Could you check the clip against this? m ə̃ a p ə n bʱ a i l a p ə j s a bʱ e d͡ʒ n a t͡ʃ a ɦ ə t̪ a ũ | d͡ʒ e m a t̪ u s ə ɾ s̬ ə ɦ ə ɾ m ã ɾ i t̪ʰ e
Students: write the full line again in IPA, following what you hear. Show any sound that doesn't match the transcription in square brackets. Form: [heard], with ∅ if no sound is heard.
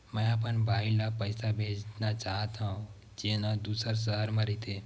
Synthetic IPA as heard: m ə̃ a p ə n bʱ a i l a p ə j s a bʱ e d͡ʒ n a t͡ʃ a ɦ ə t̪ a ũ | d͡ʒ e [n] a [d̪] u s ə ɾ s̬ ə ɦ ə ɾ m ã ɾ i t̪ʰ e